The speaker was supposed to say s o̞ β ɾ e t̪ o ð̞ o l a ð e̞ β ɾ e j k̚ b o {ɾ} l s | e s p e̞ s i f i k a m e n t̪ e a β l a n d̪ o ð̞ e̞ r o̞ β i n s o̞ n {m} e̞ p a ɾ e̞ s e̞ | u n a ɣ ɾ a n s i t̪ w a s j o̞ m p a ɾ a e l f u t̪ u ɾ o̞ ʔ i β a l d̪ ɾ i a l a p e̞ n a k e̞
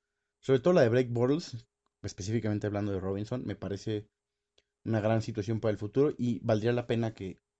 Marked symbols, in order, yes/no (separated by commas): yes, yes